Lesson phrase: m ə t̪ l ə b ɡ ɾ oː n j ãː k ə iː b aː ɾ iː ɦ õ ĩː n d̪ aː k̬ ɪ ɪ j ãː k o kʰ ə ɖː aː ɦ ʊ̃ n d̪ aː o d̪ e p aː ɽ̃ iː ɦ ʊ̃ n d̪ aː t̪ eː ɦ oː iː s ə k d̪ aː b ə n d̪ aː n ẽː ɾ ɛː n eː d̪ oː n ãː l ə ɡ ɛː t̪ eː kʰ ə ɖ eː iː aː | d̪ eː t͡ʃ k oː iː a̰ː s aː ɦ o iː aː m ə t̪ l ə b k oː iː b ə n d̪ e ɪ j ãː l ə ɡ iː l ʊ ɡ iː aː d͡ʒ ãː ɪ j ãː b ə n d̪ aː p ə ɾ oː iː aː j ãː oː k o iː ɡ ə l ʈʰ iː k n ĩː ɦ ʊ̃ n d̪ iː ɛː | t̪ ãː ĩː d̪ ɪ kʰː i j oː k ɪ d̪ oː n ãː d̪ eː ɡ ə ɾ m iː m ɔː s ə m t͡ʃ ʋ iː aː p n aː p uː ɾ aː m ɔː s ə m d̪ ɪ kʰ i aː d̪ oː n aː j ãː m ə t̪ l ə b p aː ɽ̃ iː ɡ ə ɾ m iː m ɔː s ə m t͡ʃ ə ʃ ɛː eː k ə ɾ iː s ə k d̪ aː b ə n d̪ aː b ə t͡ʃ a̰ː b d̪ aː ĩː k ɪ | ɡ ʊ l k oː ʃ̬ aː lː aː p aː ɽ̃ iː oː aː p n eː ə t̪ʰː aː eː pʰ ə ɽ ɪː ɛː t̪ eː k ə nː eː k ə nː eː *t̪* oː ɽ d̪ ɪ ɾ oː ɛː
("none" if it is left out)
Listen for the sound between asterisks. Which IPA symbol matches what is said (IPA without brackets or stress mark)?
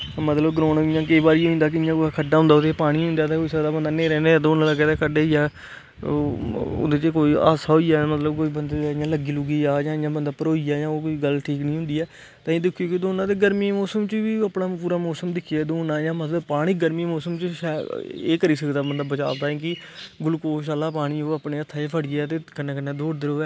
d̪